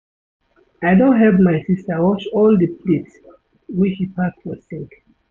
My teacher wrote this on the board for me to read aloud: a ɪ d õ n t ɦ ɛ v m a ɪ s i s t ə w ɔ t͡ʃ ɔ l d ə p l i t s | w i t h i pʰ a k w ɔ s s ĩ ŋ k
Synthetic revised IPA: a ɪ d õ n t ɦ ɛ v m a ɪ s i s t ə w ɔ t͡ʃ ɔ l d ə p l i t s | w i t͡ʃ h i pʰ a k w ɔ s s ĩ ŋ k